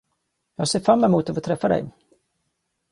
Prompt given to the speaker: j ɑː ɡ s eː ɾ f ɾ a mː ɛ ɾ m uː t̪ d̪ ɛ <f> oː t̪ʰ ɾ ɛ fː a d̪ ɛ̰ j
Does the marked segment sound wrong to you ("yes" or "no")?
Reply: no